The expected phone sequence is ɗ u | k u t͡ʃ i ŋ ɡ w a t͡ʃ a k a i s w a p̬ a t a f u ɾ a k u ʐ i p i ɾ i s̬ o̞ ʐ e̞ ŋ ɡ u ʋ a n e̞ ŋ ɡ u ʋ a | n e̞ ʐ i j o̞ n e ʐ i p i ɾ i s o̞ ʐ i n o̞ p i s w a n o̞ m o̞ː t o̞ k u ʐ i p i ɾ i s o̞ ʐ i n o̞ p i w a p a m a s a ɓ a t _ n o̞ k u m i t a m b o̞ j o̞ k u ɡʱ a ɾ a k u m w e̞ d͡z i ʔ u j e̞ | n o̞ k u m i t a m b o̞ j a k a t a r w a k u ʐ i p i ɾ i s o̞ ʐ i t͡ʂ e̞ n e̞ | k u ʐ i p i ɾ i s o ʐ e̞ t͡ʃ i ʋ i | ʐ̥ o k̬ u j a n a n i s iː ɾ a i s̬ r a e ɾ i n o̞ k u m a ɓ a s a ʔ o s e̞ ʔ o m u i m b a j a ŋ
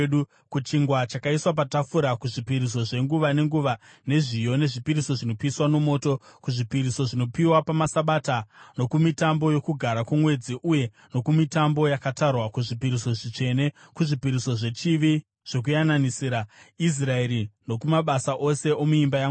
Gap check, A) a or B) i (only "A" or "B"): A